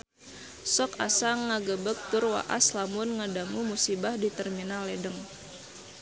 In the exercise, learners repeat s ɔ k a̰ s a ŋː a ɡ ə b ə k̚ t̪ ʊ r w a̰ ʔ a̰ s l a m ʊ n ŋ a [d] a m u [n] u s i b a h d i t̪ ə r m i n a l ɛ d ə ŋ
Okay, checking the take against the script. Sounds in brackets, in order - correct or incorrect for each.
correct, incorrect: m

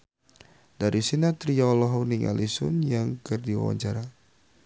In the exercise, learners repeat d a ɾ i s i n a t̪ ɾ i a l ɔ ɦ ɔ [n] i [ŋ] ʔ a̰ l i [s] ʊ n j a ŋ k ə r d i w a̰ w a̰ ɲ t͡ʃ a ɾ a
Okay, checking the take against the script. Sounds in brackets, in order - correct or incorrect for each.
correct, correct, correct

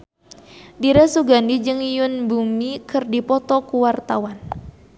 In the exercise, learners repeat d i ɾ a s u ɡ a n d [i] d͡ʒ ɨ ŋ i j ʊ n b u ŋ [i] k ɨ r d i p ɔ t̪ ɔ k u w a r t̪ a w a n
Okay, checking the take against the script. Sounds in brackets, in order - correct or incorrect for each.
correct, correct

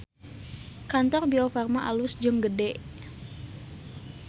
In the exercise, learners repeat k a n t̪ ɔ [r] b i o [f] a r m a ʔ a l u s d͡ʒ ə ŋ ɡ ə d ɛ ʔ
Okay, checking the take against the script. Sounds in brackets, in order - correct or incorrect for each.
correct, correct

